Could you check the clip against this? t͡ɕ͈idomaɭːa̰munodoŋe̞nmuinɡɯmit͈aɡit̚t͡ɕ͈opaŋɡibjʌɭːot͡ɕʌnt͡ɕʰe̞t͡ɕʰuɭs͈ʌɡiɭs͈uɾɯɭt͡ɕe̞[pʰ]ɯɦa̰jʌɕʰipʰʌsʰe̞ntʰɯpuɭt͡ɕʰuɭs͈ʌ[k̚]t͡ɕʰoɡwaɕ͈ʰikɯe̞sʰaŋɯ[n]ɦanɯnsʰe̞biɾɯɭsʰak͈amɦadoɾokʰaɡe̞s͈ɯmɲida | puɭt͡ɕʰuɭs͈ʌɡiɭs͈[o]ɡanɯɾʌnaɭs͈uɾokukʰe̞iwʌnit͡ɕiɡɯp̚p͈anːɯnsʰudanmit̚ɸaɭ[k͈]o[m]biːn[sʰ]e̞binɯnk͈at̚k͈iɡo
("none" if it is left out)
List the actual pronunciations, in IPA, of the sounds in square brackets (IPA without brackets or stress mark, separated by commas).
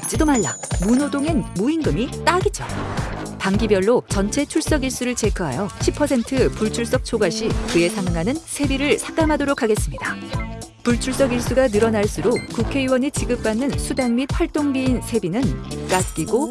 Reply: kʰ, k̚, ŋ, u, t͈, ŋ, sʰ